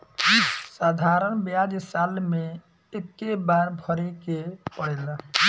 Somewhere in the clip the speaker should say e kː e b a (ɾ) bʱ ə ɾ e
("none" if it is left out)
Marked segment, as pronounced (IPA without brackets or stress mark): ɾ